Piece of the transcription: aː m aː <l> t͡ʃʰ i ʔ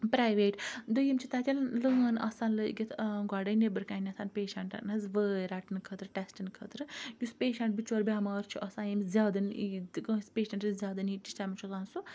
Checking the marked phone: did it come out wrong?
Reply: yes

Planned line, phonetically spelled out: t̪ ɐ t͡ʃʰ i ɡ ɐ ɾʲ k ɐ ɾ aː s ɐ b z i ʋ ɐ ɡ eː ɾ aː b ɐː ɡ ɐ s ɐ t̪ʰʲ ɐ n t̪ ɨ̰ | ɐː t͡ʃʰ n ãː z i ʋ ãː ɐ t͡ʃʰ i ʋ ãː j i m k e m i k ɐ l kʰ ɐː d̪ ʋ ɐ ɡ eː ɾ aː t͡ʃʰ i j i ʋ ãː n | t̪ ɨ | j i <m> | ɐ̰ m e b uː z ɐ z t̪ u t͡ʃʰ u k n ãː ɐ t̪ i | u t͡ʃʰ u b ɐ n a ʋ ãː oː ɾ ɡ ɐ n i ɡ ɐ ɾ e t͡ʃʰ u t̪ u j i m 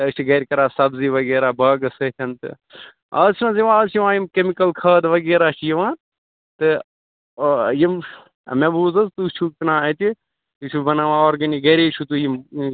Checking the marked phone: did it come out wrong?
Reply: no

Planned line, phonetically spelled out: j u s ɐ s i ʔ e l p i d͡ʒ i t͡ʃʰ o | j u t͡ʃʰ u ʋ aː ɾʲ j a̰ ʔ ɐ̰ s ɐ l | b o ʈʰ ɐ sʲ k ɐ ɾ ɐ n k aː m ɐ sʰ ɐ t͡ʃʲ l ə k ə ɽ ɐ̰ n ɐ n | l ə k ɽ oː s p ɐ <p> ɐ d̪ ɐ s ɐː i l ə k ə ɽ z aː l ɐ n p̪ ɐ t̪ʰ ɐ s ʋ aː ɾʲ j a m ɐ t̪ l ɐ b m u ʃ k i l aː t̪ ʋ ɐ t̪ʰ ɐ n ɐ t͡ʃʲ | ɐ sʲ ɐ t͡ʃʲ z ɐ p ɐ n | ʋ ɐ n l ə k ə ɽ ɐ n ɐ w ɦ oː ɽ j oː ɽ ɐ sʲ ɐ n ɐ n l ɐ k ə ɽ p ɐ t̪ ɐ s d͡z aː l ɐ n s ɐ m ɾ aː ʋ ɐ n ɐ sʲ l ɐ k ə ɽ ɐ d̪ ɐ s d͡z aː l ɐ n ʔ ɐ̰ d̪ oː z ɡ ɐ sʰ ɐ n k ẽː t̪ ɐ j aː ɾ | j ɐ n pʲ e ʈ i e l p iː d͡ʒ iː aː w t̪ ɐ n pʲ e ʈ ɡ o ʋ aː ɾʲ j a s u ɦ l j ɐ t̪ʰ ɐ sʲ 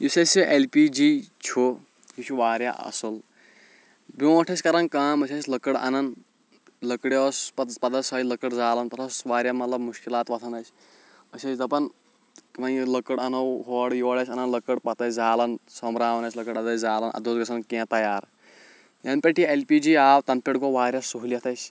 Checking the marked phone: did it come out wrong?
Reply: no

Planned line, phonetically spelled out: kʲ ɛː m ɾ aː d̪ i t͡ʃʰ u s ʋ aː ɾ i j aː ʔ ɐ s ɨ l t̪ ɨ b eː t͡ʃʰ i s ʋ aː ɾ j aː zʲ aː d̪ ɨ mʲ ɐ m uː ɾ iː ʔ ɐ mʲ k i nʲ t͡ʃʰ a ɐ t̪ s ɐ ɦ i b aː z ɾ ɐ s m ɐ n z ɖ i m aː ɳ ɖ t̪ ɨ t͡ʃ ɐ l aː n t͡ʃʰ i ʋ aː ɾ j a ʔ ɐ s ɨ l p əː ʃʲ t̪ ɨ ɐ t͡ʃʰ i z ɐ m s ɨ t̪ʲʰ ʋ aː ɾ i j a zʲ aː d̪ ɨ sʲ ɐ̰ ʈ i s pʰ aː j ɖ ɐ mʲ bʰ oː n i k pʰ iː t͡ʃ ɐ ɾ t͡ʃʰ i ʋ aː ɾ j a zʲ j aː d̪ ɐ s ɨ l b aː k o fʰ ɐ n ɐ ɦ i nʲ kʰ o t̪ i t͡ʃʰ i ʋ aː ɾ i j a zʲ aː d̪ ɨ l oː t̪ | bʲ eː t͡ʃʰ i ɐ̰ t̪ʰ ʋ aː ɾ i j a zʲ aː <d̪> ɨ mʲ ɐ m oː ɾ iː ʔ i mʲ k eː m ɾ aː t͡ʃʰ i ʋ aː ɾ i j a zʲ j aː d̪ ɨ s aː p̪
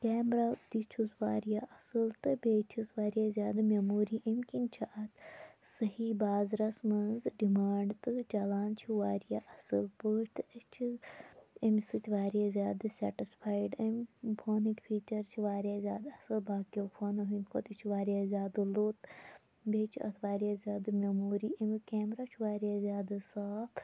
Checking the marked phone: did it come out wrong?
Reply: no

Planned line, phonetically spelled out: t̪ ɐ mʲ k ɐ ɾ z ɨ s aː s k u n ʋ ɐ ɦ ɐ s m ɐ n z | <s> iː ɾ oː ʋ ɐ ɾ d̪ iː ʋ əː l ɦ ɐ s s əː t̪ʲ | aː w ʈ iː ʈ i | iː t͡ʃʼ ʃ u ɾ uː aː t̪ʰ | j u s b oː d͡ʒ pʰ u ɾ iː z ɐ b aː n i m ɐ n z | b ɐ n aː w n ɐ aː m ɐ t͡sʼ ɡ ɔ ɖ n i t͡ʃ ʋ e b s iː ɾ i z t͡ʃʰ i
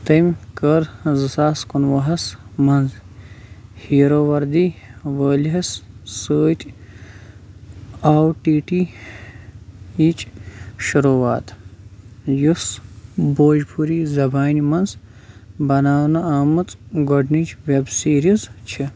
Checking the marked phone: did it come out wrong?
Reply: yes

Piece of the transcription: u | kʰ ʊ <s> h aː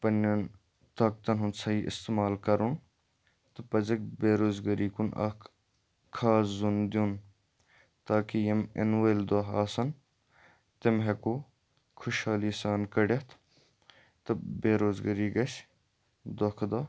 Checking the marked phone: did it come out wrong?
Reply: yes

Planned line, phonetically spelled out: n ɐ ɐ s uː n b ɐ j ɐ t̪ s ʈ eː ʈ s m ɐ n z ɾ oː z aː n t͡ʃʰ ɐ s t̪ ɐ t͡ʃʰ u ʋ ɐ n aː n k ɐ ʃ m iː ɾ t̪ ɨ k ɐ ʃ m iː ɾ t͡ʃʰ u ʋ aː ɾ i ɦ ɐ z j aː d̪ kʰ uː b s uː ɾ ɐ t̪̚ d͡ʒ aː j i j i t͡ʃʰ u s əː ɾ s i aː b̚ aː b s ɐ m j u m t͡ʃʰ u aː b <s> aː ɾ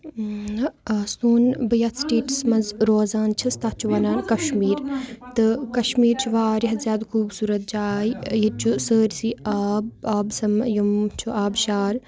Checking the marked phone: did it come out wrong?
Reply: yes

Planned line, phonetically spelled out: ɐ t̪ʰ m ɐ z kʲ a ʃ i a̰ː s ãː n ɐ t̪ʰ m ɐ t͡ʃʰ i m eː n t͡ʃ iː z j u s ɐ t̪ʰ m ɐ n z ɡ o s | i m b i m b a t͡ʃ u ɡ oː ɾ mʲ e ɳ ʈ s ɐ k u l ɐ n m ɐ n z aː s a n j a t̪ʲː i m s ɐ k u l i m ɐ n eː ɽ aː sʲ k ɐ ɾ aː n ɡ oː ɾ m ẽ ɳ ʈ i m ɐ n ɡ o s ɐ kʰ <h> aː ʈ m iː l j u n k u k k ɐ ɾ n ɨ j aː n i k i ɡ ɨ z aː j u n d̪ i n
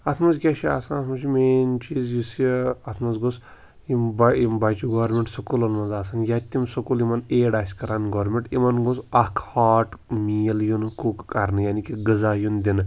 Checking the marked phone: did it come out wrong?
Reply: no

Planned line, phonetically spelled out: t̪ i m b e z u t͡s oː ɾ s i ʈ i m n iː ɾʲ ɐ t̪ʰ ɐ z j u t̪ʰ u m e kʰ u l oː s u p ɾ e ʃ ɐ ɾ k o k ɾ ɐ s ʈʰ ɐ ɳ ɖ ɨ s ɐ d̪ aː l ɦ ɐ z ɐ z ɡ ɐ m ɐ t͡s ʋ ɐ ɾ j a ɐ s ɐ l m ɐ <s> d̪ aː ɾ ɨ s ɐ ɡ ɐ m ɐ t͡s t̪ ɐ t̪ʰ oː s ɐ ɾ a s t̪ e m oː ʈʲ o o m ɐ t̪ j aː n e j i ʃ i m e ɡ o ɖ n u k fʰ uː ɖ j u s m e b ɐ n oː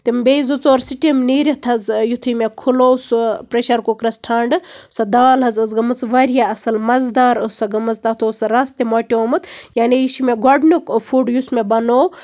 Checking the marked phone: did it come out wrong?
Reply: yes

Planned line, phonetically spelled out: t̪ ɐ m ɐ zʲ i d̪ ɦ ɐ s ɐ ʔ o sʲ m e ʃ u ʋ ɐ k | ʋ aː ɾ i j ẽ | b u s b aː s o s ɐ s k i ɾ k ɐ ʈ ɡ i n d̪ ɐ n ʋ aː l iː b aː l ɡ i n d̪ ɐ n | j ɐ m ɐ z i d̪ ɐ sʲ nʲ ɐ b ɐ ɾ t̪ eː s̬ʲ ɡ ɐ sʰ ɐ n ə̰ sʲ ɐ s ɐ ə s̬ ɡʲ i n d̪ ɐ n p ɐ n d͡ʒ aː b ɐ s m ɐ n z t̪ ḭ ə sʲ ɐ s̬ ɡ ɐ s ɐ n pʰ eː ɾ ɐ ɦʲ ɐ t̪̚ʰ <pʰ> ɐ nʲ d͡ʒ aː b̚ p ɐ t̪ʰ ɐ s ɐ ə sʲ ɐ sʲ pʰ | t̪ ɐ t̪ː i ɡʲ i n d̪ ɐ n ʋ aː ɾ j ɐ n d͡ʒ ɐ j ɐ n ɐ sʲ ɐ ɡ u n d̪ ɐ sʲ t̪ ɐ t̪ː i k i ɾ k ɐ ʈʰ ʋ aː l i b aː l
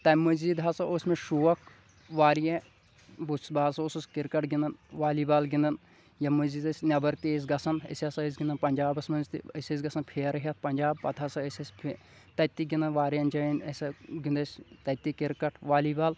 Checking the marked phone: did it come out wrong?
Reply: yes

